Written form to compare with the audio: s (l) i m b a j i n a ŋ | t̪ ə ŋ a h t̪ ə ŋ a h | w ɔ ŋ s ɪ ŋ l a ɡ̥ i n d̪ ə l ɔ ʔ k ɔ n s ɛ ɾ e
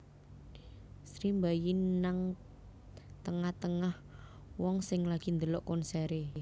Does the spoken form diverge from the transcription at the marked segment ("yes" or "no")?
yes